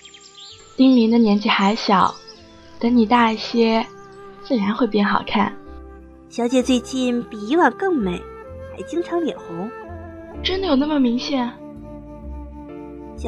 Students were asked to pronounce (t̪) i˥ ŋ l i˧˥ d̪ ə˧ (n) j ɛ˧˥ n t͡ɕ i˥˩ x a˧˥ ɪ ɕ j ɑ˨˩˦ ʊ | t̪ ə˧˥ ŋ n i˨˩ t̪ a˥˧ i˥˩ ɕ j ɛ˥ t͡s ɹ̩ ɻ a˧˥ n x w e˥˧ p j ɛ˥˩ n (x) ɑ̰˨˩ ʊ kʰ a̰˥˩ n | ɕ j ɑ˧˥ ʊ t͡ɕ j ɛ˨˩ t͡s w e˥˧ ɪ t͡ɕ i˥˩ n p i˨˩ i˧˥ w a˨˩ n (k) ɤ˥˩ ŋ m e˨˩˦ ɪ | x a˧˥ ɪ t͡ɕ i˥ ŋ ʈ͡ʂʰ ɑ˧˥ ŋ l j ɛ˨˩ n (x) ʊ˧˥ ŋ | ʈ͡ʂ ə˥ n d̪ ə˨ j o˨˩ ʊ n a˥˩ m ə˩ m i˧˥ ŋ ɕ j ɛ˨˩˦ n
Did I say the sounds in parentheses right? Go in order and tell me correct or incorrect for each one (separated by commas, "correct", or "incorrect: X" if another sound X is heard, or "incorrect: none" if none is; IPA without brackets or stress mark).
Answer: correct, correct, correct, correct, correct